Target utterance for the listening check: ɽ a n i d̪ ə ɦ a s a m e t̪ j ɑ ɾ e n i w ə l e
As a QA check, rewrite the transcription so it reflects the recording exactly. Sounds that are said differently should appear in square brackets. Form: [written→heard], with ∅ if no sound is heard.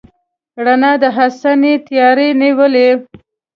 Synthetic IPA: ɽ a n [i→a] d̪ ə ɦ a s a [m→n] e t̪ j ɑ ɾ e n i w ə l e